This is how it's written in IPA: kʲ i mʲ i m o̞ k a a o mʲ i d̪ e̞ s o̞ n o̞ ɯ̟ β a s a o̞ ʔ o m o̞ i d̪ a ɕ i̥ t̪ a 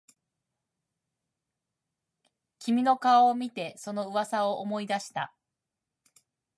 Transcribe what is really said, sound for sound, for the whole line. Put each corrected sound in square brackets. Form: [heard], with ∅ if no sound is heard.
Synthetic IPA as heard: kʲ i mʲ i [n] o̞ k a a o mʲ i [t̪] e̞ s o̞ n o̞ ɯ̟ β a s a o̞ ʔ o m o̞ i d̪ a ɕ i̥ t̪ a

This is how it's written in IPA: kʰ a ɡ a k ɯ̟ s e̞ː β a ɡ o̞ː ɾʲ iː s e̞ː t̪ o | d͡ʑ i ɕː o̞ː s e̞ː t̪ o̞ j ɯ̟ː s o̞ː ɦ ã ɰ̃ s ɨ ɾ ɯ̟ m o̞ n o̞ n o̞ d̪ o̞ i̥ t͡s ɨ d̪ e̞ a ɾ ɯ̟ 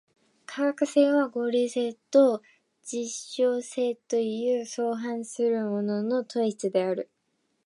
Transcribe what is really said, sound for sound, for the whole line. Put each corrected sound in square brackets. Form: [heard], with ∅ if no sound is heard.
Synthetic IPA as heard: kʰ a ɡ a k ɯ̟ s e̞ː β a ɡ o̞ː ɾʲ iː s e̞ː t̪ o | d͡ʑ i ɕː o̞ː s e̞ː t̪ o̞ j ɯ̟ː s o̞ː ɦ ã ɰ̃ s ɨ ɾ ɯ̟ m o̞ n o̞ n o̞ [t̪] o̞ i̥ t͡s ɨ d̪ e̞ a ɾ ɯ̟

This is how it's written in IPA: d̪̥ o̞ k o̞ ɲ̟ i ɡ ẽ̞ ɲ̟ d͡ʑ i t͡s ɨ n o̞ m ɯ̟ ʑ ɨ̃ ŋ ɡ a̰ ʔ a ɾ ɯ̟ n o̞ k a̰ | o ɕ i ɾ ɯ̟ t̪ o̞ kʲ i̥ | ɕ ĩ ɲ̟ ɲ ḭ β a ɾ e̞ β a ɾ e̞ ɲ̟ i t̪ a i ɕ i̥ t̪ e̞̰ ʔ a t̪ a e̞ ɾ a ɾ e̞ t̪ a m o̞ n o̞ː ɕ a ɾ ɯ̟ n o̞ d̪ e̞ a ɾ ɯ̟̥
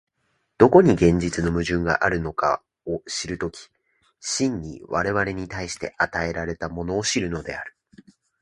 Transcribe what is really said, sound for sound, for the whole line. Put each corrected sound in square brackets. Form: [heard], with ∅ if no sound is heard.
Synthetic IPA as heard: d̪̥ o̞ k o̞ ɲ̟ i ɡ ẽ̞ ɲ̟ d͡ʑ i t͡s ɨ n o̞ m ɯ̟ ʑ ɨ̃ ŋ ɡ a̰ ʔ a ɾ ɯ̟ n o̞ k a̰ | o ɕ i ɾ ɯ̟ t̪ o̞ kʲ i̥ | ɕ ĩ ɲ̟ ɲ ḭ β a ɾ e̞ β a ɾ e̞ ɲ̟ i t̪ a i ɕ i̥ t̪ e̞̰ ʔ a t̪ a e̞ ɾ a ɾ e̞ t̪ a m o̞ n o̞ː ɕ [i] ɾ ɯ̟ n o̞ d̪ e̞ a ɾ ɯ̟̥

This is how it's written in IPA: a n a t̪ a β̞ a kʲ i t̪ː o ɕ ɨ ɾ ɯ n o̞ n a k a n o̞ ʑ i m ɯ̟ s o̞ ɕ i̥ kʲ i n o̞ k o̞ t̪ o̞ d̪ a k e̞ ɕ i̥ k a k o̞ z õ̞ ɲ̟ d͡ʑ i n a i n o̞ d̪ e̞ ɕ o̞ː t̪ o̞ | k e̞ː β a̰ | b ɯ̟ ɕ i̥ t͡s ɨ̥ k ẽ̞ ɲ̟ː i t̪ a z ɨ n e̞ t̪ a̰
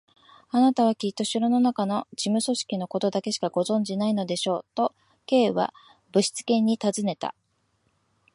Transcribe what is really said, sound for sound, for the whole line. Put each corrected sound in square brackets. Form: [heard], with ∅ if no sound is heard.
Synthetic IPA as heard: a n a t̪ a β̞ a kʲ i t̪ː o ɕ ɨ ɾ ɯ n o̞ n a k a n o̞ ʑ i m ɯ̟ s o̞ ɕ i̥ kʲ i n o̞ k o̞ t̪ o̞ d̪ a k e̞ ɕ i̥ k a [ɡ] o̞ z õ̞ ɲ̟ d͡ʑ i n a i n o̞ d̪ e̞ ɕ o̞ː t̪ o̞ | k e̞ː β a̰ | b ɯ̟ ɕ i̥ t͡s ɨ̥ k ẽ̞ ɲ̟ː i t̪ a z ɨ n e̞ t̪ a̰

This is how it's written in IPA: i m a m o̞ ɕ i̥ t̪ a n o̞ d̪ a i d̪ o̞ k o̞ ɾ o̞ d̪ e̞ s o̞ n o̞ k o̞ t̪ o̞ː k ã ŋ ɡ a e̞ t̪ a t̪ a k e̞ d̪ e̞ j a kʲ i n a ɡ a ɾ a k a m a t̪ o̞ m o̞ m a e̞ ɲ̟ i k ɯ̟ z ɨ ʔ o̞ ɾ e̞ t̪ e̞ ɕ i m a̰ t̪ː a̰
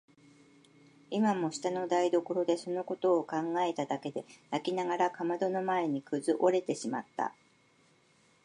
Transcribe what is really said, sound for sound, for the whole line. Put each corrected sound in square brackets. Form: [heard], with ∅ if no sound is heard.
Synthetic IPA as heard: i m a m o̞ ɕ i̥ t̪ a n o̞ d̪ a i d̪ o̞ k o̞ ɾ o̞ d̪ e̞ s o̞ n o̞ k o̞ t̪ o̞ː k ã ŋ ɡ a e̞ t̪ a [d̪] a k e̞ d̪ e̞ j a kʲ i n a ɡ a ɾ a k a m a [d̪] o̞ [n] o̞ m a e̞ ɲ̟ i k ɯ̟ z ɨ ʔ o̞ ɾ e̞ t̪ e̞ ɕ i m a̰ t̪ː a̰

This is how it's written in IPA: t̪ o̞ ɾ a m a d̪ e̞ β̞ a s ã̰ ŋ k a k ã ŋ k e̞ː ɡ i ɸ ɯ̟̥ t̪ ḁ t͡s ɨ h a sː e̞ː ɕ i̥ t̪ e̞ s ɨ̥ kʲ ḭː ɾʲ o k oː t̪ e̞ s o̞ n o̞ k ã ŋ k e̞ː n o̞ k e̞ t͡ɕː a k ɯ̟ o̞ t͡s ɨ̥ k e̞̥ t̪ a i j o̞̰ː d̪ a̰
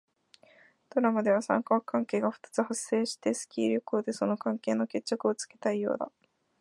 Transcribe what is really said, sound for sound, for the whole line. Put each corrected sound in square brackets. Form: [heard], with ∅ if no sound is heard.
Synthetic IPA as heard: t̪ o̞ ɾ a m a d̪ e̞ β̞ a s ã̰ ŋ k a k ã ŋ k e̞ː ɡ [a] ɸ ɯ̟̥ t̪ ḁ t͡s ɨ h a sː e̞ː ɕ i̥ t̪ e̞ s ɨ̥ kʲ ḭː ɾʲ o k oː [d̪] e̞ s o̞ n o̞ k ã ŋ k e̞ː n o̞ k e̞ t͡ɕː a k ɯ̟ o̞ t͡s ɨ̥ k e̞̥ t̪ a i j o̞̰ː d̪ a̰

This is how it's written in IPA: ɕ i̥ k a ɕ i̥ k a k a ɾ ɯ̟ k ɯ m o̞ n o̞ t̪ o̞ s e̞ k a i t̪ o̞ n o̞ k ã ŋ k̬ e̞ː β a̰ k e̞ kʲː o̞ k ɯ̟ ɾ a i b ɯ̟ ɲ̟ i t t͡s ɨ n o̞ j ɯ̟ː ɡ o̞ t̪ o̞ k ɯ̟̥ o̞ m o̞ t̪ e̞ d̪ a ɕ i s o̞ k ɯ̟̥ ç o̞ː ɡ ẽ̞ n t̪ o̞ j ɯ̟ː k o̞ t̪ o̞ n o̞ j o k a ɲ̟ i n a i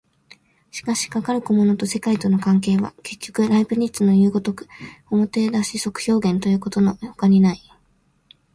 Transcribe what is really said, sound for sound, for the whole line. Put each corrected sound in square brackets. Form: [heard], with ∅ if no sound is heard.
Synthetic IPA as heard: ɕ i̥ k a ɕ i̥ k a k a ɾ ɯ̟ k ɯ m o̞ n o̞ t̪ o̞ s e̞ k a i t̪ o̞ n o̞ k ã ŋ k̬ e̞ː β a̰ k e̞ kʲː o̞ k ɯ̟ ɾ a i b ɯ̟ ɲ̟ i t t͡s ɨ n o̞ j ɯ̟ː ɡ o̞ t̪ o̞ k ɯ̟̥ o̞ m o̞ t̪ e̞ d̪ a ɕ i s o̞ k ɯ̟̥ ç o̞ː ɡ ẽ̞ n t̪ o̞ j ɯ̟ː k o̞ t̪ o̞ n o̞ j o k a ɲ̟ i n a i

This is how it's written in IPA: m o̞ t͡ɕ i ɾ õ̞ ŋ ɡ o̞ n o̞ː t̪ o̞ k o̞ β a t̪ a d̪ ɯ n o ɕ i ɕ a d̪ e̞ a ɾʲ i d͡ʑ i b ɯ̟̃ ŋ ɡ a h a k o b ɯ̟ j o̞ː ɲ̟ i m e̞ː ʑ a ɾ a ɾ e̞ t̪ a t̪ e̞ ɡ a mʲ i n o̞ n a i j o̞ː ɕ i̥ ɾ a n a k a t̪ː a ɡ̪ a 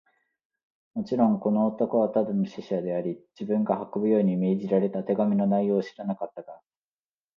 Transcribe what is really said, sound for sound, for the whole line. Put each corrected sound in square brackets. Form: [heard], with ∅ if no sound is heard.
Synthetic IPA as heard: m o̞ t͡ɕ i ɾ õ̞ ŋ [k] o̞ n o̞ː t̪ o̞ k o̞ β a t̪ a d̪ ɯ n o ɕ i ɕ a d̪ e̞ a ɾʲ i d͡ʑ i b ɯ̟̃ ŋ ɡ a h a k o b ɯ̟ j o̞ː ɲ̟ i m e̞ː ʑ [i] ɾ a ɾ e̞ t̪ a t̪ e̞ ɡ a mʲ i n o̞ n a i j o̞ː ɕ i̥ ɾ a n a k a t̪ː a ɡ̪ a

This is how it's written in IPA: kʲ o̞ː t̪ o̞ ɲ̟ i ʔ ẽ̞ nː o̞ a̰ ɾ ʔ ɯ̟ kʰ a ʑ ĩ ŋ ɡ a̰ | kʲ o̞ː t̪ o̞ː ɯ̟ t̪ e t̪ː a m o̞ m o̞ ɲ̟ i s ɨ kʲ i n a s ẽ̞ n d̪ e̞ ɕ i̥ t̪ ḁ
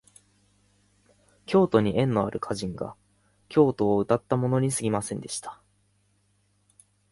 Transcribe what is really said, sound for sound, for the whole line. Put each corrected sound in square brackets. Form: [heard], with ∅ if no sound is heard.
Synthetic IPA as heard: kʲ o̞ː t̪ o̞ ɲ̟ i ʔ ẽ̞ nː o̞ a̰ ɾ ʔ ɯ̟ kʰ a ʑ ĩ ŋ ɡ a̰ | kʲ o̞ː t̪ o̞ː ɯ̟ t̪ [a] t̪ː a m o̞ [n] o̞ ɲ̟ i s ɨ [ɡʲ] i [m] a s ẽ̞ n d̪ e̞ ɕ i̥ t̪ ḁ

